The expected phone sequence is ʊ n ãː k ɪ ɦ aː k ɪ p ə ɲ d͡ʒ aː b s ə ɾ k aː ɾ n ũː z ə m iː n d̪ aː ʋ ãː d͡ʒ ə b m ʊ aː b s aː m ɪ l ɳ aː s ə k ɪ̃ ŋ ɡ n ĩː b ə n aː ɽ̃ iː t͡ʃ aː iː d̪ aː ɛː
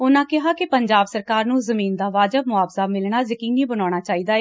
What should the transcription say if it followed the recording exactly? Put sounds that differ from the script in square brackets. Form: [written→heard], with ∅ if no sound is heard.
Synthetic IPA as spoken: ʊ n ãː k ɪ ɦ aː k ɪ p ə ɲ d͡ʒ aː b s ə ɾ k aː ɾ n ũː z ə m iː n d̪ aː ʋ [ãː→aː] d͡ʒ ə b m ʊ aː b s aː m ɪ l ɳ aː [s→z] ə k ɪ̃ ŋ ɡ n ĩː b ə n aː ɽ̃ [iː→aː] t͡ʃ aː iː d̪ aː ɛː